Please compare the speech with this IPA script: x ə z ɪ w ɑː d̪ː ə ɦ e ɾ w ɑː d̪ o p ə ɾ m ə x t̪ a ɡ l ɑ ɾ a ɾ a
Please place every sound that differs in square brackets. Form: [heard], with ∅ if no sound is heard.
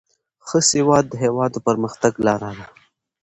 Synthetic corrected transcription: x ə [s] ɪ w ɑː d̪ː ə ɦ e [∅] w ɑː d̪ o p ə ɾ m ə x t̪ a ɡ l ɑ ɾ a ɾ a